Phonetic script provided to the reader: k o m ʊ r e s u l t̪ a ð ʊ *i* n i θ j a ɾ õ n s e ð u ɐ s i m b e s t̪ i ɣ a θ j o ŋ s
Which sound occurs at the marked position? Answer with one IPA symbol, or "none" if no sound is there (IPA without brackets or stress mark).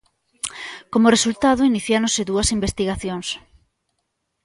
i